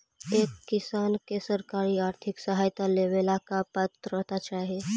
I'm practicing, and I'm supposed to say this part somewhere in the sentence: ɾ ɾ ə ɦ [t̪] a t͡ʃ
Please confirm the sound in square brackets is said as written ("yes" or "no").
yes